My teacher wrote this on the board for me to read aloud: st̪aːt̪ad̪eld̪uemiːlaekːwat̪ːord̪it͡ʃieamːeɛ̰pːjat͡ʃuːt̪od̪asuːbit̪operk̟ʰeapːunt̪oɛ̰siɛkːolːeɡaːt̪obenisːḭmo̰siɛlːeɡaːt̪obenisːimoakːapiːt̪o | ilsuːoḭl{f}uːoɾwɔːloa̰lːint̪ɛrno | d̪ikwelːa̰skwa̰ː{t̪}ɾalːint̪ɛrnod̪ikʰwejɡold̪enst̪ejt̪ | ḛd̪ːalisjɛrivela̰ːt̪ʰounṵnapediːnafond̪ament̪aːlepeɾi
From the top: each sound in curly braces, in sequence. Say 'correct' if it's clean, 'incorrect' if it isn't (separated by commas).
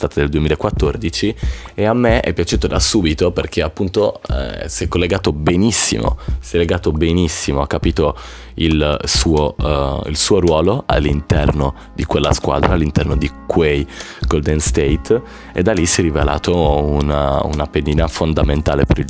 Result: incorrect, incorrect